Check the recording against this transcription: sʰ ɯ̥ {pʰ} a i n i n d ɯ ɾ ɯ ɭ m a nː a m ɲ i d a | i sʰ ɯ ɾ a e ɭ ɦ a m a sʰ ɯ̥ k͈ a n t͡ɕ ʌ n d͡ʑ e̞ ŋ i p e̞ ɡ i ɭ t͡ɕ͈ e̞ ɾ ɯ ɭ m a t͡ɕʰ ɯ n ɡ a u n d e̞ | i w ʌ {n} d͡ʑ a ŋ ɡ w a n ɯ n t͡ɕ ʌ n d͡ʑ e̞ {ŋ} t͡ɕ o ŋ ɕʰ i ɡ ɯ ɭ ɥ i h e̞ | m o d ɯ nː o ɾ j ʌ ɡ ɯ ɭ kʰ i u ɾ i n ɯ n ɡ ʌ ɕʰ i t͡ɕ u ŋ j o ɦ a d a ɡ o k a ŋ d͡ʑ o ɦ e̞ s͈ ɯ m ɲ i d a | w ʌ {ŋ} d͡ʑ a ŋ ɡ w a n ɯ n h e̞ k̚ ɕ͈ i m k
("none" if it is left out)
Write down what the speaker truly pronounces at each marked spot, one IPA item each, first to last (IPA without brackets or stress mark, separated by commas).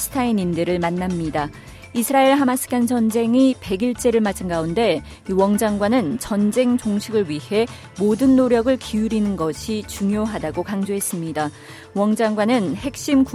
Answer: tʰ, ŋ, ŋ, ŋ